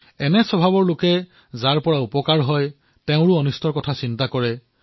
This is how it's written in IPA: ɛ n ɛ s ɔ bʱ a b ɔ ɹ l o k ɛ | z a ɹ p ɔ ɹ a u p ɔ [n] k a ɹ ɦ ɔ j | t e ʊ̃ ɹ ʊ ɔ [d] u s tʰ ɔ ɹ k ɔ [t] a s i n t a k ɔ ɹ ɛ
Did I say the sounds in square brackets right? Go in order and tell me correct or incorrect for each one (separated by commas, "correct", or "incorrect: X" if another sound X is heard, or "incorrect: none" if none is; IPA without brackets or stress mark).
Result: incorrect: none, incorrect: n, incorrect: tʰ